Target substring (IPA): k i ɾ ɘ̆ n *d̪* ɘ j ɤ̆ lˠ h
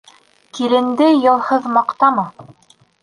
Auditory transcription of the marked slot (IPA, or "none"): d̪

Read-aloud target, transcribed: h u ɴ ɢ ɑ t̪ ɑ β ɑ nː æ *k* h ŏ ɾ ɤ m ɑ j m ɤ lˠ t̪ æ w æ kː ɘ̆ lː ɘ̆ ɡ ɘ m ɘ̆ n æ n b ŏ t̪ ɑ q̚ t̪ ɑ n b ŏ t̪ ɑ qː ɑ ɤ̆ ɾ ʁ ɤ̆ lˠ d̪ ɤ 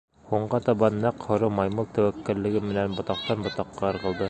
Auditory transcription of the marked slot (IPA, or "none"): q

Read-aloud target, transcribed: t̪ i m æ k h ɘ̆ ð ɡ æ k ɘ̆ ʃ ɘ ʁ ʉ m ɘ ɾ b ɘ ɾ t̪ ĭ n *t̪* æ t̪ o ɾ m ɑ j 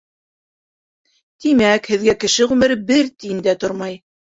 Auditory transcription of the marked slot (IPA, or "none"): d̪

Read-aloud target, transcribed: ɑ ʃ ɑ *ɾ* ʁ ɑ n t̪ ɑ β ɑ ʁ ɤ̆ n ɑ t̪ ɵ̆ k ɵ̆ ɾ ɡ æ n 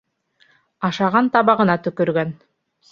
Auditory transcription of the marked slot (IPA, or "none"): none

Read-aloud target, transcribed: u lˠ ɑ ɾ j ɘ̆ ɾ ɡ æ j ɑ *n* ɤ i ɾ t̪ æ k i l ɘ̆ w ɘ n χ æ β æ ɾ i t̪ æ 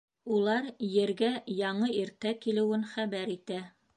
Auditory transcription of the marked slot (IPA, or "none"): ɴ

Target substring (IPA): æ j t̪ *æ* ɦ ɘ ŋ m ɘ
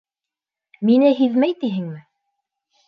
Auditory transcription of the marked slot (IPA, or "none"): i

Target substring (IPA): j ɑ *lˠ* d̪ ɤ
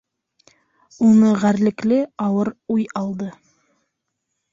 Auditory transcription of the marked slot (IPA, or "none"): lˠ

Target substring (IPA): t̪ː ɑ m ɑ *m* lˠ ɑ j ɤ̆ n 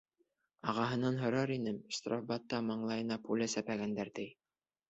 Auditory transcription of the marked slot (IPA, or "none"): ɴ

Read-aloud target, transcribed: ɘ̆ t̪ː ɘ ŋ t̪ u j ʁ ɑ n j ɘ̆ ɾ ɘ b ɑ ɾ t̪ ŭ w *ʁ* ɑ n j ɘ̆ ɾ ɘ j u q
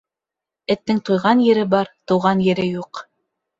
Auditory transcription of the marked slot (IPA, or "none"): ʁ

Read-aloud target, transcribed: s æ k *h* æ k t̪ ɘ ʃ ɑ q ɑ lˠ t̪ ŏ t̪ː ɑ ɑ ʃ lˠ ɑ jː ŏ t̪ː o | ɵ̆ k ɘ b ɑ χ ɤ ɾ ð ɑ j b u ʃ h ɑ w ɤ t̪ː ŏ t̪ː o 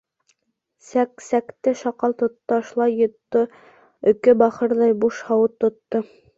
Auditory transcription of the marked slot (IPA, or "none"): s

